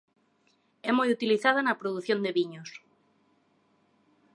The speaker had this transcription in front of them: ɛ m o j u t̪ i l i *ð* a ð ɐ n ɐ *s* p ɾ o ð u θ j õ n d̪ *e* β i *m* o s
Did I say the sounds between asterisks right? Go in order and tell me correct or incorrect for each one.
incorrect: θ, incorrect: none, correct, incorrect: ɲ

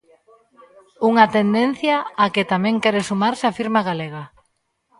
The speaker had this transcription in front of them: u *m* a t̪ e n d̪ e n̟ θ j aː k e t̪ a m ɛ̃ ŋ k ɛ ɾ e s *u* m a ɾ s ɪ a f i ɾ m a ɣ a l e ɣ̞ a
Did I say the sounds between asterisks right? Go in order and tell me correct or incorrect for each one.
incorrect: ŋ, correct

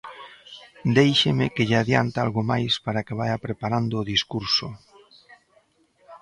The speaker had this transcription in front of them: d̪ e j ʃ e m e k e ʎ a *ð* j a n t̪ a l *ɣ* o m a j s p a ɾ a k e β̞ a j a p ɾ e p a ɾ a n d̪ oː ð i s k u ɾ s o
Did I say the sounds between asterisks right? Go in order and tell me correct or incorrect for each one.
correct, correct

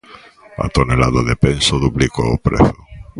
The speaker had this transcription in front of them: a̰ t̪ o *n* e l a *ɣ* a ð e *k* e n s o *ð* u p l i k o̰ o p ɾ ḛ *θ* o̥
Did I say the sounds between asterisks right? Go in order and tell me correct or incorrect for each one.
correct, incorrect: ð, incorrect: p, correct, correct

